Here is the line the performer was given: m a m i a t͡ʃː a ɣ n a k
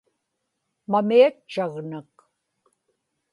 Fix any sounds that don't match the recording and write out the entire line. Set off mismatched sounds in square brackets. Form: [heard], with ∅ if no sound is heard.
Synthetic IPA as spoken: m a m i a t͡ʃː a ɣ n a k